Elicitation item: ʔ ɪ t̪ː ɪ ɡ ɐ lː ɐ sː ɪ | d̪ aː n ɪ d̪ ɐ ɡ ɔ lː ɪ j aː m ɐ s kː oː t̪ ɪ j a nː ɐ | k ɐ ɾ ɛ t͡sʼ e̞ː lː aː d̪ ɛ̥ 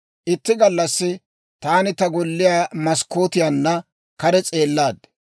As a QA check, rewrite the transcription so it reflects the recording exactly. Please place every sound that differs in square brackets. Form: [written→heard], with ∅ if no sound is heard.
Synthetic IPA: ʔ ɪ t̪ː ɪ ɡ ɐ lː ɐ sː ɪ | [d̪→t̪] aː n ɪ [d̪→t̪] ɐ ɡ ɔ lː ɪ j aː m ɐ s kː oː t̪ ɪ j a nː ɐ | k ɐ ɾ ɛ t͡sʼ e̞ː lː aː d̪ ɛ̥

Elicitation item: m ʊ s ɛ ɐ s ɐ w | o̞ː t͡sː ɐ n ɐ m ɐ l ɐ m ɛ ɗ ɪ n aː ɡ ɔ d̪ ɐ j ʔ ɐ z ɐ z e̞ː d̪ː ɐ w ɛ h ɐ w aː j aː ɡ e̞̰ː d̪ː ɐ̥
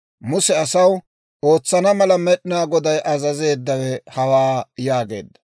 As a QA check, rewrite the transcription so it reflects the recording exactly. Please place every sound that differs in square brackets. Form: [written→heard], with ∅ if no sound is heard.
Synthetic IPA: m ʊ s ɛ ɐ s ɐ w | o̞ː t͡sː ɐ n ɐ m ɐ l ɐ m ɛ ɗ ɪ n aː ɡ ɔ d̪ ɐ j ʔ ɐ z ɐ z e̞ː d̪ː ɐ w ɛ h ɐ w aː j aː ɡ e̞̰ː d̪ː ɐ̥

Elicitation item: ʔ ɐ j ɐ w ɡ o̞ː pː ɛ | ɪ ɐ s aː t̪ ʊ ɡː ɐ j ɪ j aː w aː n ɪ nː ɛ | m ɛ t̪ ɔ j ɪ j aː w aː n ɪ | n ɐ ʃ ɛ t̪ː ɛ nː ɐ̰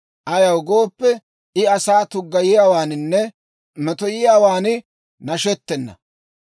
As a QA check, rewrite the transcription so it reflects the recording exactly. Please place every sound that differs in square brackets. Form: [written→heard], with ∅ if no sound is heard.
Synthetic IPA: ʔ ɐ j ɐ w ɡ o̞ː pː ɛ | ɪ ɐ s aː t̪ ʊ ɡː ɐ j ɪ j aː w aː n ɪ nː ɛ | m ɛ t̪ ɔ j ɪ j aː w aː n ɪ | n ɐ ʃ ɛ t̪ː ɛ nː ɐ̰

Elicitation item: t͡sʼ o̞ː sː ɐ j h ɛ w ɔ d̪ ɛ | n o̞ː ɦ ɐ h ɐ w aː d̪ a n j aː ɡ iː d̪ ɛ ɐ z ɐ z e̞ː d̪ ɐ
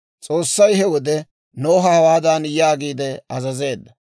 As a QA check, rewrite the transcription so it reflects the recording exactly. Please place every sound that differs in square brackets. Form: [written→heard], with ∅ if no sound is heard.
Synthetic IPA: t͡sʼ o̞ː sː ɐ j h ɛ w ɔ d̪ ɛ | n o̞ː ɦ ɐ h ɐ w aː d̪ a n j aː ɡ iː d̪ ɛ ɐ z ɐ z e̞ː [d̪→d̪ː] ɐ

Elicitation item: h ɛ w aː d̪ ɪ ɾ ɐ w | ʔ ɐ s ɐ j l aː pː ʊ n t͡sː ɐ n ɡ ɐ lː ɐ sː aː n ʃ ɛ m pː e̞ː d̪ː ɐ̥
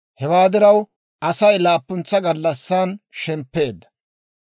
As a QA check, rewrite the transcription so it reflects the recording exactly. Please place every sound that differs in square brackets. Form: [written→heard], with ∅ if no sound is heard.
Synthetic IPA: h ɛ w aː d̪ ɪ ɾ ɐ w | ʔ ɐ s ɐ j l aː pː ʊ n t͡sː ɐ [n→∅] ɡ ɐ lː ɐ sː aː n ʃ ɛ m pː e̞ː d̪ː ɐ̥

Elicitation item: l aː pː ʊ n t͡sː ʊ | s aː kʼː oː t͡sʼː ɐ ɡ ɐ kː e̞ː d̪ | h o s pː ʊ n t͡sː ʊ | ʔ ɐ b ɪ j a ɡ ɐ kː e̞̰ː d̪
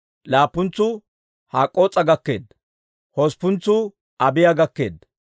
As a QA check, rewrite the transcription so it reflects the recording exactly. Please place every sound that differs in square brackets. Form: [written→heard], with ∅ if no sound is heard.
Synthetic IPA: l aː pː ʊ n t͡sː ʊ | [s→h] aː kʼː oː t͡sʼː ɐ ɡ ɐ kː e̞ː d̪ | h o s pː ʊ n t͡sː ʊ | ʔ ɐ b ɪ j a ɡ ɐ kː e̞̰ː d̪

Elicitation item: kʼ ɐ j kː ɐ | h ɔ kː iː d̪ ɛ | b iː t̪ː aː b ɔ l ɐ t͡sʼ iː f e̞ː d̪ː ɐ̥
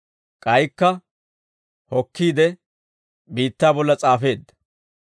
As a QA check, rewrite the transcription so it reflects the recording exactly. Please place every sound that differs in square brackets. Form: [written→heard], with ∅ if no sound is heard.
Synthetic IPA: kʼ ɐ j kː ɐ | h ɔ kː iː d̪ ɛ | b iː t̪ː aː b ɔ [l→lː] ɐ t͡sʼ [iː→aː] f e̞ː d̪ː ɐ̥

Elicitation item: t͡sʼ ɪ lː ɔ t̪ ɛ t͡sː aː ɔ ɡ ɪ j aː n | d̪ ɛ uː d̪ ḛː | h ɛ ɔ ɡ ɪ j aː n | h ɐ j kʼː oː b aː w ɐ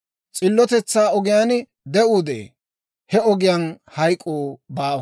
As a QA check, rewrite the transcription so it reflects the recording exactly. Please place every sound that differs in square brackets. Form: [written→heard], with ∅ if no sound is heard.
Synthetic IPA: t͡sʼ ɪ lː ɔ t̪ ɛ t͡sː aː ɔ ɡ ɪ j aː n | d̪ ɛ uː d̪ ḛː | h ɛ ɔ ɡ ɪ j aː n | h ɐ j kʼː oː b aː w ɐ

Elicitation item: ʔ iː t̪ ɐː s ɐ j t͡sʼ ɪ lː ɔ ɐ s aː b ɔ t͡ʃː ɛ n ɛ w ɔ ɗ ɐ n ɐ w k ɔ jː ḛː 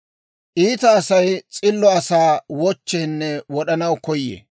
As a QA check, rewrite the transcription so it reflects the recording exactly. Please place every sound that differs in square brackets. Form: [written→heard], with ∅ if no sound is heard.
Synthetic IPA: ʔ iː t̪ ɐː s ɐ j t͡sʼ ɪ lː ɔ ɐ s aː [b→w] ɔ t͡ʃː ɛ [n→nː] ɛ w ɔ ɗ ɐ n ɐ w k ɔ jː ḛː

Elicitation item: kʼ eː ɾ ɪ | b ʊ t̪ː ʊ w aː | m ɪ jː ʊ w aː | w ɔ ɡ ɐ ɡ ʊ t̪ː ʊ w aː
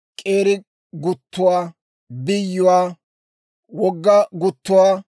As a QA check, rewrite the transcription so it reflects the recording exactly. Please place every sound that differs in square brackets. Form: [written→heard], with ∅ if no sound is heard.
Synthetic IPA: kʼ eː ɾ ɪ | [b→ɡ] ʊ t̪ː ʊ w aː | [m→b] ɪ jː ʊ w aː | w ɔ [ɡ→ɡː] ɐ ɡ ʊ t̪ː ʊ w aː

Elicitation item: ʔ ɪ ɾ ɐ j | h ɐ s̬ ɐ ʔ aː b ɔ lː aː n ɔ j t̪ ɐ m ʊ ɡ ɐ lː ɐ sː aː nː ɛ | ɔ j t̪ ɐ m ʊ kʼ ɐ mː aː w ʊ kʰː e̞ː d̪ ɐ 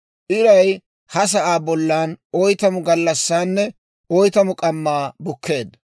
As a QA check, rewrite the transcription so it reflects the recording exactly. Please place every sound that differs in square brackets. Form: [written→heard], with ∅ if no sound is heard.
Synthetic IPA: ʔ ɪ ɾ ɐ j | h ɐ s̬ ɐ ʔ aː b ɔ lː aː n ɔ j t̪ ɐ m ʊ ɡ ɐ lː ɐ sː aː nː ɛ | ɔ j t̪ ɐ m ʊ kʼ ɐ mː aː [w→b] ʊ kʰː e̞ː d̪ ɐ

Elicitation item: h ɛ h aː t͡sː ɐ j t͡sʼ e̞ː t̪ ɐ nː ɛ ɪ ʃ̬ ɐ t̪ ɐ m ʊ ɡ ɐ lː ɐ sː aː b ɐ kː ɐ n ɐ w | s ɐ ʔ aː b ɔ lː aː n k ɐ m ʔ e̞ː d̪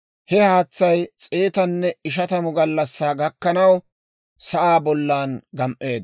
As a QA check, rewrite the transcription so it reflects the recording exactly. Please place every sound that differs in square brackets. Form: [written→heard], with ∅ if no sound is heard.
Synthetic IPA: h ɛ h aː t͡sː ɐ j t͡sʼ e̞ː t̪ ɐ nː ɛ ɪ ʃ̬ ɐ t̪ ɐ m ʊ ɡ ɐ lː ɐ sː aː [b→ɡ] ɐ kː ɐ n ɐ w | s ɐ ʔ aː b ɔ lː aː n [k→ɡ] ɐ m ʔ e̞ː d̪

